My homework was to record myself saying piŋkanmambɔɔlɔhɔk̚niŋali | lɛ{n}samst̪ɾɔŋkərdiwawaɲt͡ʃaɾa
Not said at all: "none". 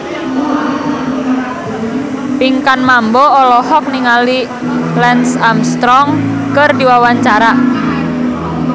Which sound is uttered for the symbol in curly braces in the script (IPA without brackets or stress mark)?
n